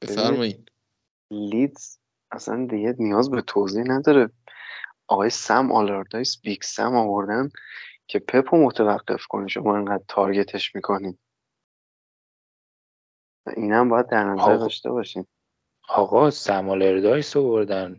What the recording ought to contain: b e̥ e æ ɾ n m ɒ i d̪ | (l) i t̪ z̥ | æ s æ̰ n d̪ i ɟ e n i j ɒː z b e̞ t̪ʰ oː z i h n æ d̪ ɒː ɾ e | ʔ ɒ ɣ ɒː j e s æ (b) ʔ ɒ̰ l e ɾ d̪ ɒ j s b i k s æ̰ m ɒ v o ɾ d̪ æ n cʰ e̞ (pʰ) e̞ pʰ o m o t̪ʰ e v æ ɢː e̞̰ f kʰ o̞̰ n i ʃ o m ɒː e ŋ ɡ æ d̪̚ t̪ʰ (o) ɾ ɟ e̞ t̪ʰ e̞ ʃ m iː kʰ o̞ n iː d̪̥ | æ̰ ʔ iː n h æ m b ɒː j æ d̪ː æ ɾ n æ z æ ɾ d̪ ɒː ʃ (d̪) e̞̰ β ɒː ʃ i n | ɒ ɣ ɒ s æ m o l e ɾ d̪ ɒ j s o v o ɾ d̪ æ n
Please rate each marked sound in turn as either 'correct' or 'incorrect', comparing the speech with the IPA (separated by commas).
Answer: correct, incorrect, correct, incorrect, incorrect